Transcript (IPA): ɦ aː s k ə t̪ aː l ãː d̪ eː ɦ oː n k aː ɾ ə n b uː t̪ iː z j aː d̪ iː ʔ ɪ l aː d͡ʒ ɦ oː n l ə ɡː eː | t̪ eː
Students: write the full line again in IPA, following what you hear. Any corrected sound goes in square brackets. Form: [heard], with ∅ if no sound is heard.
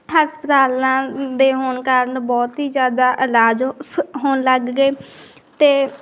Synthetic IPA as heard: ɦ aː s [p] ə t̪ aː l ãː d̪ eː ɦ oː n k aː ɾ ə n b [ɔː] t̪ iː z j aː d̪ [aː] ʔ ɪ l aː d͡ʒ ɦ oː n l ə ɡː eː | t̪ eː